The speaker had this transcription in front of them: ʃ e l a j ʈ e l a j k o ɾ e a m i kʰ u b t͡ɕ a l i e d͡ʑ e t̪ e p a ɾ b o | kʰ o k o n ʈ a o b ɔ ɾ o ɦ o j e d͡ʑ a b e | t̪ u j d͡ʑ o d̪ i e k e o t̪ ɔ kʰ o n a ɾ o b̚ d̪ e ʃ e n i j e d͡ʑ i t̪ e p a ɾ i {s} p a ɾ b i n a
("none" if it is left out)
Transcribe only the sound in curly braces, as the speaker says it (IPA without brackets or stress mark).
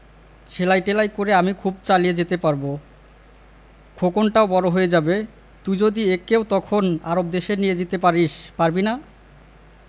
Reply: ʃ